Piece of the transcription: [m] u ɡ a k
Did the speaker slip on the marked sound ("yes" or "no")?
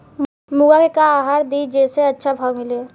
no